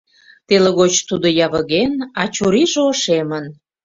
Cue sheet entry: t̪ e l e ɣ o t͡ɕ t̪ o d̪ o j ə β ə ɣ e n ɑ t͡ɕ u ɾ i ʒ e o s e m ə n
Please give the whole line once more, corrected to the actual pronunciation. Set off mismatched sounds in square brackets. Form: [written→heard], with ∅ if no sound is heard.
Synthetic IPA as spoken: t̪ e l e ɣ o t͡ɕ t̪ [o→u] d̪ o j [ə→ɑ] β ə ɣ e n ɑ t͡ɕ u ɾ i ʒ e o [s→ʃ] e m ə n